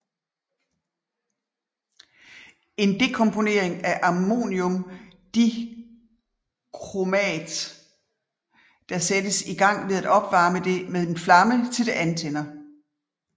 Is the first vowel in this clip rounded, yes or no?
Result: no